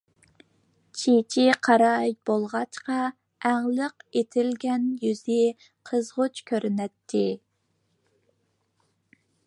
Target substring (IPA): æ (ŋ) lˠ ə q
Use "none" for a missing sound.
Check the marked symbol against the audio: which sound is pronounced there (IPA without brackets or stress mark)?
ŋ